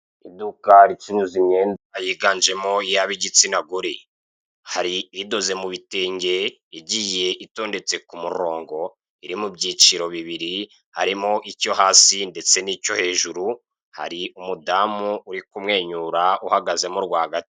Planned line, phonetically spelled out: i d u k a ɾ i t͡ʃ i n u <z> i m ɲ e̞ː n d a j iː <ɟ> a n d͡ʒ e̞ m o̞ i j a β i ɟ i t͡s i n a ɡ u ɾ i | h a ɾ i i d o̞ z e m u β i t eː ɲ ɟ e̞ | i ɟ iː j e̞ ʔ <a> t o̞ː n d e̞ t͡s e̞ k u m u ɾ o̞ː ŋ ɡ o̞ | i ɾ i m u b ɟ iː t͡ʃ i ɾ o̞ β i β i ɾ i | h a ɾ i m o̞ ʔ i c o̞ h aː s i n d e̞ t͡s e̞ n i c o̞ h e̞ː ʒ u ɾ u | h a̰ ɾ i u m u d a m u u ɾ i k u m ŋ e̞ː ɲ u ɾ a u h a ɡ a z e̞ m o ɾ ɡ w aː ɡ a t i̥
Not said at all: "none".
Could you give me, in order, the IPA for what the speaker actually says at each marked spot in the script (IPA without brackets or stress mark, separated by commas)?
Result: z, ɡ, i